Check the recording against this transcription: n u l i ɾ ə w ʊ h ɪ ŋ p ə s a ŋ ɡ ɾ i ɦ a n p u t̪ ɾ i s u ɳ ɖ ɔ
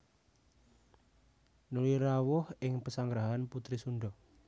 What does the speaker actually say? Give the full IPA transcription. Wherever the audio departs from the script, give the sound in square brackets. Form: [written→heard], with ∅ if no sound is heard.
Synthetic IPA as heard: n u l i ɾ [ə→a] w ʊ h ɪ ŋ p ə s a ŋ ɡ ɾ [i→a] ɦ a n p u t̪ ɾ i s u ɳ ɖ ɔ